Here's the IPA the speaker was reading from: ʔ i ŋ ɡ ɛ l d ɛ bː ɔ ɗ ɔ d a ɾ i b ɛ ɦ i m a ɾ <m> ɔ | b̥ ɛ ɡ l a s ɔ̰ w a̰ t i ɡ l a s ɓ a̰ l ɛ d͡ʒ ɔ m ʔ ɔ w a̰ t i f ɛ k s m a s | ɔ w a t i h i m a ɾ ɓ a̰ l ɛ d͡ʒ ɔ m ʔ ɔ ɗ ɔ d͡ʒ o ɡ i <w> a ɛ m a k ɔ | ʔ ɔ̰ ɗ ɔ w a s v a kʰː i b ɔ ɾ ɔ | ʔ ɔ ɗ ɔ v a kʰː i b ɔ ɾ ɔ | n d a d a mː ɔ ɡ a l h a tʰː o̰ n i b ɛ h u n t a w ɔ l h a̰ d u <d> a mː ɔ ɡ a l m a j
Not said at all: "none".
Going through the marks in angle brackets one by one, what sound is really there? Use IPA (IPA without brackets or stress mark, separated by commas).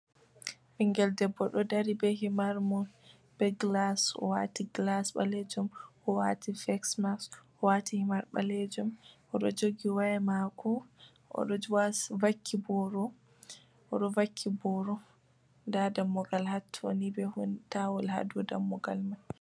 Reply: m, w, d